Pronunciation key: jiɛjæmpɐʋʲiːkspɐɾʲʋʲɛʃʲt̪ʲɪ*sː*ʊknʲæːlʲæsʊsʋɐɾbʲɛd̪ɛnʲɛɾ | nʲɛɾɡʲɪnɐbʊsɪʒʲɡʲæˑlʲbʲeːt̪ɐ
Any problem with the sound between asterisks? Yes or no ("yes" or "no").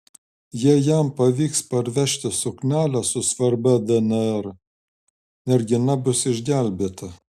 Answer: yes